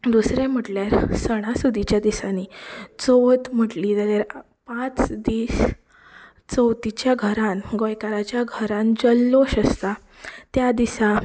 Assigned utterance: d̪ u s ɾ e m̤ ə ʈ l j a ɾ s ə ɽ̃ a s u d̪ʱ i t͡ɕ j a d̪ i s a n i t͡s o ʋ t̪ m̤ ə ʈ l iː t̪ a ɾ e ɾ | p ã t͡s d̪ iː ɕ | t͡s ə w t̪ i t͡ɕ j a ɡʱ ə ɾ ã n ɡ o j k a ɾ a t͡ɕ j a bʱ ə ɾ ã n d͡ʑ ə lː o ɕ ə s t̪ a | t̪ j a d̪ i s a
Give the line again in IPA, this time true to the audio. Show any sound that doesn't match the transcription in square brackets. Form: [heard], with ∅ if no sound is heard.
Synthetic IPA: d̪ u s ɾ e m̤ ə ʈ l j a ɾ s ə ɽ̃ a s u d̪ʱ i t͡ɕ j a d̪ i s a n i t͡s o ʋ t̪ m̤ ə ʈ l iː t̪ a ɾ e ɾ | p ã t͡s d̪ iː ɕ | t͡s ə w t̪ i t͡ɕ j a ɡʱ ə ɾ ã n ɡ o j k a ɾ a t͡ɕ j a [ɡʱ] ə ɾ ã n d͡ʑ ə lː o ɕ ə s t̪ a | t̪ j a d̪ i s a